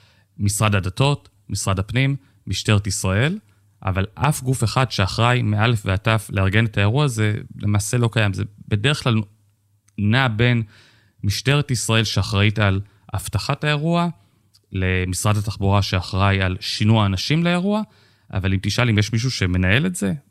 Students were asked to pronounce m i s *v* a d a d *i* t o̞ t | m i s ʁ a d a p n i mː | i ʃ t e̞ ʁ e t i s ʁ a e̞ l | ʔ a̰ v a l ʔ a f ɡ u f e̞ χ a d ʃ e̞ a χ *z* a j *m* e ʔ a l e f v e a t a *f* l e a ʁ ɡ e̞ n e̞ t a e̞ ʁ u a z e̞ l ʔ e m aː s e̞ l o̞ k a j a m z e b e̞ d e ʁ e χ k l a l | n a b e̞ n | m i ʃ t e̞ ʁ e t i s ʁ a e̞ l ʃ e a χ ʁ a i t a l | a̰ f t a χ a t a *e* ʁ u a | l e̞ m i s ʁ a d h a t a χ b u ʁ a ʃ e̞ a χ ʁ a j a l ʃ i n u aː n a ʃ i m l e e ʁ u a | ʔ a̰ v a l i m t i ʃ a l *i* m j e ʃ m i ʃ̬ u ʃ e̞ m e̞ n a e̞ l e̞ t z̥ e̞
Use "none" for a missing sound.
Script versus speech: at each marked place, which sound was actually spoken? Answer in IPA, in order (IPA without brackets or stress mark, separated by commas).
ʁ, a, ʁ, m, f, e, i